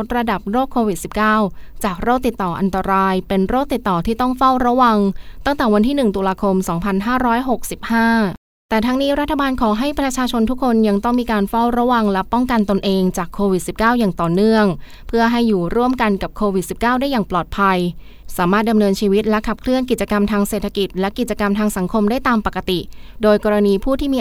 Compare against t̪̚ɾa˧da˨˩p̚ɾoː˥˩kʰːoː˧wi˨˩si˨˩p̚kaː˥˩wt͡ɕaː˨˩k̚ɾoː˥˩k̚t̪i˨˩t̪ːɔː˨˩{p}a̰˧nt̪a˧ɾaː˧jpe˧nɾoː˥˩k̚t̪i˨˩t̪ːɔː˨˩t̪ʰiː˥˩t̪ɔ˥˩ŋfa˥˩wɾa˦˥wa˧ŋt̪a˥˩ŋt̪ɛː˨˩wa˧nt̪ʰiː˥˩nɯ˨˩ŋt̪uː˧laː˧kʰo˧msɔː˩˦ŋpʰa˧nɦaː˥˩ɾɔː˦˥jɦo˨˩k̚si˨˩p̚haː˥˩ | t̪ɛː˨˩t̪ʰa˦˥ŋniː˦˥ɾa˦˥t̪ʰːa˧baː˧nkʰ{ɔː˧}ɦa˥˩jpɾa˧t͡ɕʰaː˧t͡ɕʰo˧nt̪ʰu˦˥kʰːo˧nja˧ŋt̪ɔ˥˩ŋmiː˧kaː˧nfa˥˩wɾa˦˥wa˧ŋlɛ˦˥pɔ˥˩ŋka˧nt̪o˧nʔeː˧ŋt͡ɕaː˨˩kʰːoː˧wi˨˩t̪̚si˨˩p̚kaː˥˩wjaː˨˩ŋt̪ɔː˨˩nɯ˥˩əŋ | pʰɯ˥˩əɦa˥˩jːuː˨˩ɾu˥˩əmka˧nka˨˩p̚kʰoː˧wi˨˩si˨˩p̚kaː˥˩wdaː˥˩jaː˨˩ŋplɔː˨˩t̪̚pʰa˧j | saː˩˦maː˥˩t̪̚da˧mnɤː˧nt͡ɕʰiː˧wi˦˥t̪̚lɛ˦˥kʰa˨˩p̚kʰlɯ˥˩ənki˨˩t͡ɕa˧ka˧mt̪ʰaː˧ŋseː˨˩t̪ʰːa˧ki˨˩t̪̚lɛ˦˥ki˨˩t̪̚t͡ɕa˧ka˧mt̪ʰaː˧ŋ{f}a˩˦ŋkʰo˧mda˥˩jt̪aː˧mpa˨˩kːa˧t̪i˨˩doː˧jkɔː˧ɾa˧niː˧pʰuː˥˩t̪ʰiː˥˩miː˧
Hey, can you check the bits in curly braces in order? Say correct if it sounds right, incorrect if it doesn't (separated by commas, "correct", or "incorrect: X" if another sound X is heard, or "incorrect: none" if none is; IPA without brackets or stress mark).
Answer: incorrect: ʔ, incorrect: ɔː˩˦, incorrect: s